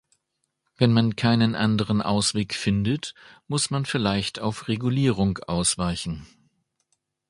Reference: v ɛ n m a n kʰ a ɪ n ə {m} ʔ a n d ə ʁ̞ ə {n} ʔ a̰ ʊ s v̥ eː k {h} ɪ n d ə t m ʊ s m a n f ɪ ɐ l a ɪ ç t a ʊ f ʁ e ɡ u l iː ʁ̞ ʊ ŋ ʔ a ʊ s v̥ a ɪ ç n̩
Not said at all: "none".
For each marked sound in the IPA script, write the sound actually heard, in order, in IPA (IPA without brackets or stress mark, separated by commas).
n, n, f